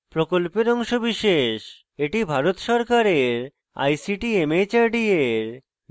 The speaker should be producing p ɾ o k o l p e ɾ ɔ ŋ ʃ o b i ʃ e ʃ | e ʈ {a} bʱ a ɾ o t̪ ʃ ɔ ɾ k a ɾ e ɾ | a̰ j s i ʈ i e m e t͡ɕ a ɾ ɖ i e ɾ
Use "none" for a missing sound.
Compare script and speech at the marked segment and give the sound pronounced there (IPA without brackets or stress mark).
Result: i